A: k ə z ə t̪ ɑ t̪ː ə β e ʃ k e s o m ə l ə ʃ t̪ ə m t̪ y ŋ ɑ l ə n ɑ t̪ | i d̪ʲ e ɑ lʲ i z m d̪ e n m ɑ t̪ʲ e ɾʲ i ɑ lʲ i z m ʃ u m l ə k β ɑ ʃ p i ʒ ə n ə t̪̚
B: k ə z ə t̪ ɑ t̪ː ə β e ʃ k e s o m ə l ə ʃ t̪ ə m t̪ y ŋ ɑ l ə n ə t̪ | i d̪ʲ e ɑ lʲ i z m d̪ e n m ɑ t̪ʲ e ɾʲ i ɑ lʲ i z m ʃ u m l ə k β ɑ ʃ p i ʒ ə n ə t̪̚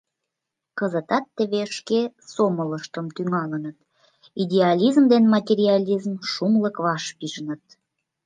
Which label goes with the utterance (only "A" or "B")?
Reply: B